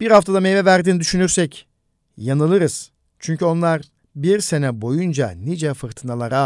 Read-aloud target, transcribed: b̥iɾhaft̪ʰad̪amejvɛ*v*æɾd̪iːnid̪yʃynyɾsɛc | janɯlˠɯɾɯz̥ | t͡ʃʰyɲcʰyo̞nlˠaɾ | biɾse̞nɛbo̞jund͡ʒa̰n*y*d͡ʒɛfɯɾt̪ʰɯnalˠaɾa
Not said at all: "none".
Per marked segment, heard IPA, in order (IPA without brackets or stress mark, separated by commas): v, i